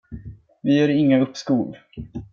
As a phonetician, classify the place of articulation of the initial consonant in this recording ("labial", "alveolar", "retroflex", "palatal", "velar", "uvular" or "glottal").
labial